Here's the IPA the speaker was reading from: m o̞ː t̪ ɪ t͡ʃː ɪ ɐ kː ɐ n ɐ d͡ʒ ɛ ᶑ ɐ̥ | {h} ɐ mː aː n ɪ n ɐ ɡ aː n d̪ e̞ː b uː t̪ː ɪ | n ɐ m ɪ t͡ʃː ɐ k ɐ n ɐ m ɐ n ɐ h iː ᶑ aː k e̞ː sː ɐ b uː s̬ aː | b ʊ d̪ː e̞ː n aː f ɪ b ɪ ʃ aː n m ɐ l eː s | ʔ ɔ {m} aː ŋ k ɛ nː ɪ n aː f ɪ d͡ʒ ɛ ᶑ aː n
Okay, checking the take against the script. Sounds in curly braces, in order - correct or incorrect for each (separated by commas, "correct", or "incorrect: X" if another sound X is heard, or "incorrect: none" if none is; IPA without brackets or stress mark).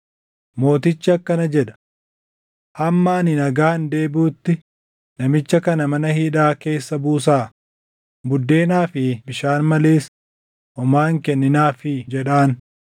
correct, correct